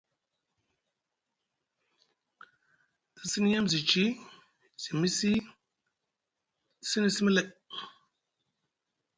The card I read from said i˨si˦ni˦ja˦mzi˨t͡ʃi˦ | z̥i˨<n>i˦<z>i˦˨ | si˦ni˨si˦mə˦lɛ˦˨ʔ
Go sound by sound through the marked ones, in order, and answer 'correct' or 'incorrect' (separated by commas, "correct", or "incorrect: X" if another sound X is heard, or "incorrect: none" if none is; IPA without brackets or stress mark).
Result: incorrect: m, incorrect: s